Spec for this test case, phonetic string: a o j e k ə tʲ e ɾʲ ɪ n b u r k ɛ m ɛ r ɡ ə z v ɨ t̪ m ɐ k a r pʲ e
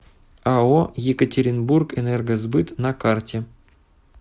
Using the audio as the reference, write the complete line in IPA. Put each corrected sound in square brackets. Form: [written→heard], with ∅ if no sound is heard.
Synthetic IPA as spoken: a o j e k ə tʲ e ɾʲ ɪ n b u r k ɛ [m→n] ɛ r ɡ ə z [v→b] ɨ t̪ [m→n] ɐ k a r [pʲ→tʲ] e